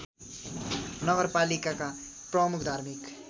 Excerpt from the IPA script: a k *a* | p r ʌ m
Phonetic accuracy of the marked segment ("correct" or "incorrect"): correct